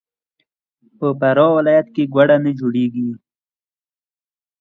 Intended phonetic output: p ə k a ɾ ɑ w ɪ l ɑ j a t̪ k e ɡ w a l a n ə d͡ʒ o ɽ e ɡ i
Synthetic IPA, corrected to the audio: p ə p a ɾ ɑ w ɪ l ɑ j a t̪ k e ɡ w a ɽ a n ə d͡ʒ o ɽ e ɡ i